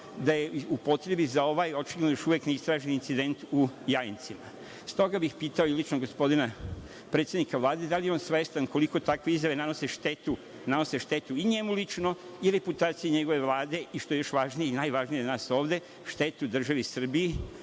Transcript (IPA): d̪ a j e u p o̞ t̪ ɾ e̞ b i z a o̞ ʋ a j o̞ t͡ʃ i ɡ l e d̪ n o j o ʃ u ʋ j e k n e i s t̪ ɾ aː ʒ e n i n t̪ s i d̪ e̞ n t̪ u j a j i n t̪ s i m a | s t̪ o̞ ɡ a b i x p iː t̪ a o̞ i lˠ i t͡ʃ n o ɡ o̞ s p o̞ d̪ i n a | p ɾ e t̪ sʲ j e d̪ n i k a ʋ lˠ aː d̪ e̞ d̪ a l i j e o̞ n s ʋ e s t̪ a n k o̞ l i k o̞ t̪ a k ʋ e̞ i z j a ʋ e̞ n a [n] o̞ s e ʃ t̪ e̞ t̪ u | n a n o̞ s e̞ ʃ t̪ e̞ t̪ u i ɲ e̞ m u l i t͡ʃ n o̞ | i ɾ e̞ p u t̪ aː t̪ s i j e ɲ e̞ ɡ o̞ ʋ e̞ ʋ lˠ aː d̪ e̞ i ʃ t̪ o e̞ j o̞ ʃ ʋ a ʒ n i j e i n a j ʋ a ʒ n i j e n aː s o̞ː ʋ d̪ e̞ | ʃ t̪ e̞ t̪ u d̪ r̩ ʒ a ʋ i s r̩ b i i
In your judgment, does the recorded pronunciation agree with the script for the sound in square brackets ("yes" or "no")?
yes